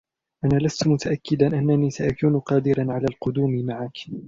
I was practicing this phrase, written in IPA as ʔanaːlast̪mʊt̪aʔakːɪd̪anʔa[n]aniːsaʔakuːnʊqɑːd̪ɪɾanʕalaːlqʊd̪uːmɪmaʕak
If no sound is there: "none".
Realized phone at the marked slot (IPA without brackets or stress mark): nː